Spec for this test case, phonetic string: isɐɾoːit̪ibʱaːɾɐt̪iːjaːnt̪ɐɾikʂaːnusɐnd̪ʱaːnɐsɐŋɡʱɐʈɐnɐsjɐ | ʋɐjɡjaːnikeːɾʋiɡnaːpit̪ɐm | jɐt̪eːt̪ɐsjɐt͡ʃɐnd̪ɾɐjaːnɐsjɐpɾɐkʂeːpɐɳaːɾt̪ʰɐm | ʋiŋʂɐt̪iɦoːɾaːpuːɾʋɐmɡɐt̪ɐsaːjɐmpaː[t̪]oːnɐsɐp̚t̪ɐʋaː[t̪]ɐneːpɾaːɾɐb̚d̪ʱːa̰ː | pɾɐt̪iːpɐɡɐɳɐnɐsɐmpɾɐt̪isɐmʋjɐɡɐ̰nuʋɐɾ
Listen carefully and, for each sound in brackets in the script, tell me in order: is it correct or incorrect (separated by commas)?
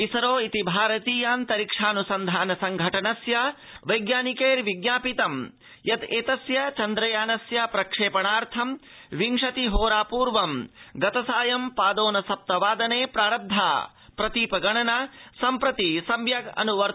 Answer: incorrect, incorrect